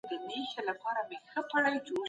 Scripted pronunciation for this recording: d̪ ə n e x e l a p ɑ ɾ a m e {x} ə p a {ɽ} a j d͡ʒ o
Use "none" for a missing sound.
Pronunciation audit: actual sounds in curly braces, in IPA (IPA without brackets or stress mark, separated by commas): x, ɽ